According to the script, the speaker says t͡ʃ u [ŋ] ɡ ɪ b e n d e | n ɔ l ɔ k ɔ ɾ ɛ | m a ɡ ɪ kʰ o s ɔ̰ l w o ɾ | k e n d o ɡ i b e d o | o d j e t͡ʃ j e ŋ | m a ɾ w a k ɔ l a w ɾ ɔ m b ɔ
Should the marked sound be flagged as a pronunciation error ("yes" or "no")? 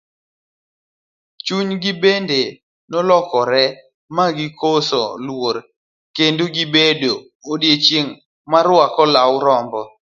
yes